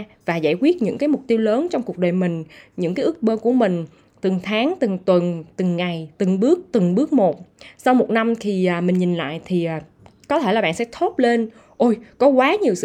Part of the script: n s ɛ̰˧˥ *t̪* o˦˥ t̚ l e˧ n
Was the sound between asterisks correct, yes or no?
no